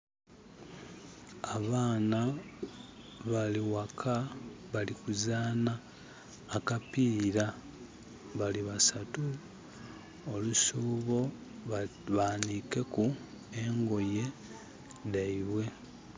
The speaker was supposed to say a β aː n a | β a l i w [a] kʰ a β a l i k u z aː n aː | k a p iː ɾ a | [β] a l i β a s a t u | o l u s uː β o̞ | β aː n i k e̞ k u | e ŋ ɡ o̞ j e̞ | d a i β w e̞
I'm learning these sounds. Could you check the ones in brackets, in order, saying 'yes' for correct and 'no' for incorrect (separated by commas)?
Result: yes, yes